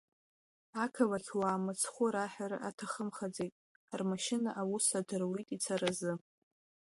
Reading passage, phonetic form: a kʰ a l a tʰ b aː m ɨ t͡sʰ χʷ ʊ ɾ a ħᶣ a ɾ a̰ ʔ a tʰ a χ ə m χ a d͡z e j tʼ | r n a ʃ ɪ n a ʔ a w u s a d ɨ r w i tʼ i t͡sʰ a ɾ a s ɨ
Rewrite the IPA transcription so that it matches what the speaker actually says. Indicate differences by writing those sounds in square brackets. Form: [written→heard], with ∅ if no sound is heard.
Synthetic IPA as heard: a kʰ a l a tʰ [b→w] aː m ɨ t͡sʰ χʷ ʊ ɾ a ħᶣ a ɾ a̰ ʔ a tʰ a χ ə m χ a d͡z e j tʼ | r [n→m] a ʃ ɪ n a ʔ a w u s a d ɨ r w i tʼ i t͡sʰ a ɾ a [s→z] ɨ